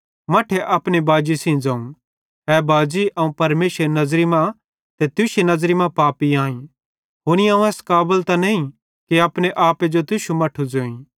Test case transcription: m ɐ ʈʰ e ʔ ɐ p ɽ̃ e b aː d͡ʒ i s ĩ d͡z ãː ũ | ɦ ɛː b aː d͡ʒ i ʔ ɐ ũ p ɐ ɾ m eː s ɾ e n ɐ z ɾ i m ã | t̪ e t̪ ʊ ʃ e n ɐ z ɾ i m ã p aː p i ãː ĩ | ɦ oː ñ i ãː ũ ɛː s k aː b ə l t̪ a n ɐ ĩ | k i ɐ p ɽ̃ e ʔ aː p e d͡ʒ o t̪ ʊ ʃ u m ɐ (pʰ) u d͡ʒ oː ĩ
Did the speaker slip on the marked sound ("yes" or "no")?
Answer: yes